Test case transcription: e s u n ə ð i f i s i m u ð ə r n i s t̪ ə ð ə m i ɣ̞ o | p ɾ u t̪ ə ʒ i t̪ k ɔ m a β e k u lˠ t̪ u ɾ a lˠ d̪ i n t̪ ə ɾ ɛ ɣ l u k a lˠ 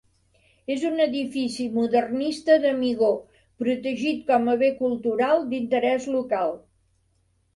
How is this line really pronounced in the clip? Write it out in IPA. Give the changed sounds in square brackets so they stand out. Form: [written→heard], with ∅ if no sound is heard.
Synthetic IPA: e [s→z] u n ə ð i f i s i m u ð ə r n i s t̪ ə ð ə m i ɣ̞ o | p ɾ u t̪ ə ʒ i t̪ k ɔ m [a→ə] β e k u lˠ t̪ u ɾ a lˠ d̪ i n t̪ ə ɾ ɛ [ɣ→z] l u k a lˠ